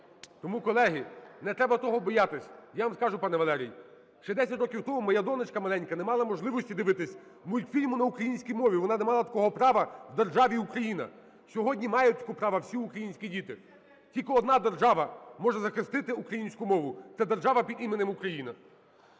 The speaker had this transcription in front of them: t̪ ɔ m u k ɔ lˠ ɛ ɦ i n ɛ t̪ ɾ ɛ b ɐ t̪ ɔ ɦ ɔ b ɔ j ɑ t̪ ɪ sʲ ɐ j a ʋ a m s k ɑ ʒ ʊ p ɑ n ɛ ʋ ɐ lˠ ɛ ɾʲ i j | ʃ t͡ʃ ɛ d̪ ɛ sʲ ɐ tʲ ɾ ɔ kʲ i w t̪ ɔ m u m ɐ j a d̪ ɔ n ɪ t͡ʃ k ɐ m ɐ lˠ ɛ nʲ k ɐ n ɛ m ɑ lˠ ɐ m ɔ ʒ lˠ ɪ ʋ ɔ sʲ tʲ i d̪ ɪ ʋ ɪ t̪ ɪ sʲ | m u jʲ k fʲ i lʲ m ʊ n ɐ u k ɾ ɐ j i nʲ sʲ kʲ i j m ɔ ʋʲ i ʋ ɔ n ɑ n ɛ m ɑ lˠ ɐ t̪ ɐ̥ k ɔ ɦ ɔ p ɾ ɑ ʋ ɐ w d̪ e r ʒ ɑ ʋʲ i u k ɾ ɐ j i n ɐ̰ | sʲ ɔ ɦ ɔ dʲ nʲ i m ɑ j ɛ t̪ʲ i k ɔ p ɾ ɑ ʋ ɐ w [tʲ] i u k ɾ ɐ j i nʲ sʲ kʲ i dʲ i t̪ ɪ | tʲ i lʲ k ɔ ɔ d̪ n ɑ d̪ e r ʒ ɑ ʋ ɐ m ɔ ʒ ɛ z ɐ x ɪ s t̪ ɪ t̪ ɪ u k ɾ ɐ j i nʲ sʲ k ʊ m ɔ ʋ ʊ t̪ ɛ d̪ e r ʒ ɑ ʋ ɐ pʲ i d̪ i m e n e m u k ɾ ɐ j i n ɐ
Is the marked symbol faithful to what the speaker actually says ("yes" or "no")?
no